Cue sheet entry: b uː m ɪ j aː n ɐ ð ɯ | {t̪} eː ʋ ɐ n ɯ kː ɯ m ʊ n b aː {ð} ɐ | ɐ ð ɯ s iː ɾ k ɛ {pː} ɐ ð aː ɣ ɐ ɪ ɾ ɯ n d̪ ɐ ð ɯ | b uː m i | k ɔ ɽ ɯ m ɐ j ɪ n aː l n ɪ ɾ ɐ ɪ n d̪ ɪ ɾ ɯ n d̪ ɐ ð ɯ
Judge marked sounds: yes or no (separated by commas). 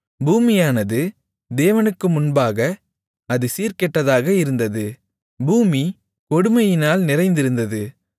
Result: no, no, no